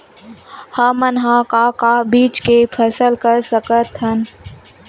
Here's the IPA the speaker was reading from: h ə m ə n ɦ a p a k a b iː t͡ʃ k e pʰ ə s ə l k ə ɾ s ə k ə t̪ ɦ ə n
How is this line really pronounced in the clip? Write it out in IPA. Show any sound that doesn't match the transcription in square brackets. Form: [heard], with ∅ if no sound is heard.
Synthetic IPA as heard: h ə m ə n ɦ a [k] a k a b iː t͡ʃ k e pʰ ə s ə l k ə ɾ s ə k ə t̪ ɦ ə n